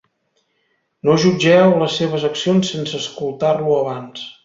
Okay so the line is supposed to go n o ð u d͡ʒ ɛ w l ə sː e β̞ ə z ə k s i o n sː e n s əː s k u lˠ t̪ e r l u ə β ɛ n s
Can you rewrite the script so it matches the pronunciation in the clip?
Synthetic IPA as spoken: n o ʒ u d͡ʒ ɛ w l ə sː e β̞ ə z ə k s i o n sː e n s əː s k u lˠ t̪ a r l u ə β a n s

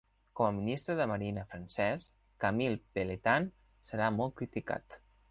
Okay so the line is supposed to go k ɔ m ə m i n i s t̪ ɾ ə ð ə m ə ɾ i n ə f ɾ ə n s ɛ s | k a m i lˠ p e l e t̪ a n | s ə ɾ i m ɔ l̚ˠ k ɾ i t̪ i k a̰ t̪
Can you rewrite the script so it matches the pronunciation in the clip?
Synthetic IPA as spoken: k ɔ m ə m i n i s t̪ ɾ ə ð ə m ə ɾ i n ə f ɾ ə n s ɛ s | k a m i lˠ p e l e t̪ a n | s ə ɾ a m ɔ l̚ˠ k ɾ i t̪ i k a̰ t̪

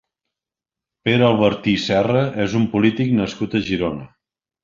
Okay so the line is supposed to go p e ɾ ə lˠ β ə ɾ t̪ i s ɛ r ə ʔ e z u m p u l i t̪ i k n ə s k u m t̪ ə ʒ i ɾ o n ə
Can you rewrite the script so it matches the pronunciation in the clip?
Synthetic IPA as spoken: p e ɾ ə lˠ β ə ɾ t̪ i s ɛ r ə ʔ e z u m p u l i t̪ i k n ə s k u t̪ ə ʒ i ɾ o n ə

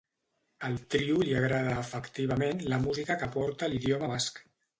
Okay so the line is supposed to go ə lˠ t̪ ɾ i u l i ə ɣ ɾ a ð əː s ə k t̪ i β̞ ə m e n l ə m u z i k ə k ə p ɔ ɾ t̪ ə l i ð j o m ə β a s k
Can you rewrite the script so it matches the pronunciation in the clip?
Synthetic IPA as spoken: ə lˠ t̪ ɾ i u l i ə ɣ ɾ a ð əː f ə k t̪ i β̞ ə m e n l ə m u z i k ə k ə p ɔ ɾ t̪ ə l i ð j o m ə β a s k

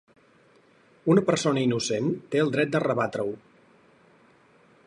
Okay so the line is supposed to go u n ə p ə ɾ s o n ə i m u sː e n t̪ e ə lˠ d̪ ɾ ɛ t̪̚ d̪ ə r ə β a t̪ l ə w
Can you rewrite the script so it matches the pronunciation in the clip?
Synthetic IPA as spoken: u n ə p ə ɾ s o n ə i n u s e n t̪ e ə lˠ d̪ ɾ ɛ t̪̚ d̪ ə r ə β a t̪ ɾ ə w

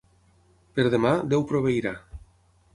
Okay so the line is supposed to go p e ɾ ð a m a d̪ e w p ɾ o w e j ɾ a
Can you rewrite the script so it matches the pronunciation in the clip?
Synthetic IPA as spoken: p e ɾ ð e m a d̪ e w p ɾ o β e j ɾ a

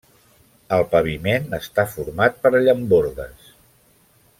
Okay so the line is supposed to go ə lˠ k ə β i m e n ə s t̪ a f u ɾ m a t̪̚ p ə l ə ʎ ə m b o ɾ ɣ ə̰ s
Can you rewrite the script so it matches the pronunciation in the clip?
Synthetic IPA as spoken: ə lˠ p ə β i m e n ə s t̪ a f u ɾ m a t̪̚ p ə ɾ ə ʎ ə m b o ɾ ð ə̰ s

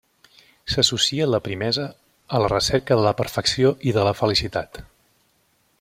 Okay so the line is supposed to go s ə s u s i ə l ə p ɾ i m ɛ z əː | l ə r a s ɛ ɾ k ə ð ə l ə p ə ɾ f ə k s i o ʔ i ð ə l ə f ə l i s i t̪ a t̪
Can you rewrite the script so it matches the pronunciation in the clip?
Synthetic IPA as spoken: s ə s u s i ə l ə p ɾ i m ɛ z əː | l ə r ə s ɛ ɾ k ə ð ə l ə p ə ɾ f ə k s i o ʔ i ð ə l ə f ə l i s i t̪ a t̪

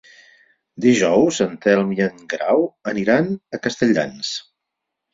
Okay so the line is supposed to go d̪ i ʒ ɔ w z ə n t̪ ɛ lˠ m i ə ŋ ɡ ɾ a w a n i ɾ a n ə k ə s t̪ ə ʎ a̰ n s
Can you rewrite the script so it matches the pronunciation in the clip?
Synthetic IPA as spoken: d̪ i ʒ ɔ w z ə n t̪ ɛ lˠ m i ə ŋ ɡ ɾ a w ə n i ɾ a n ə k ə s t̪ ə ʎ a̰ n s

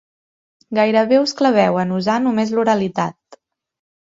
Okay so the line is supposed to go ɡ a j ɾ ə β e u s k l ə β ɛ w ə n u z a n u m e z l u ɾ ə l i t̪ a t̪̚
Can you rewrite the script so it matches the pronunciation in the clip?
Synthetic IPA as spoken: ɡ a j ɾ ə β e u s k l ə β ɛ w ə n u z a n u m e z l u ɾ ə l i t̪ a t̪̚

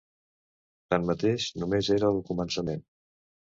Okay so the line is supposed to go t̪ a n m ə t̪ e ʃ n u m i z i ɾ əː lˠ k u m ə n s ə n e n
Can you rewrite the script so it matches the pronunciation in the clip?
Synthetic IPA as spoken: t̪ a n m ə t̪ e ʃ n u m e z e ɾ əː lˠ k u m ə n s ə m e n

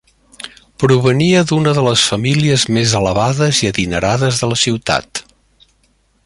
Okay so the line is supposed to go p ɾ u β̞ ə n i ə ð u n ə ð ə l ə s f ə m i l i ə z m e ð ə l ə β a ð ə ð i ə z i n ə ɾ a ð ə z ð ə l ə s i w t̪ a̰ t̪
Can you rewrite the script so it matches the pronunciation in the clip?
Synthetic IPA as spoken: p ɾ u β̞ ə n i ə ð u n ə ð ə l ə s f ə m i l i ə z m e z ə l ə β a ð ə z i ə ð i n ə ɾ a ð ə z ð ə l ə s i w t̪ a̰ t̪

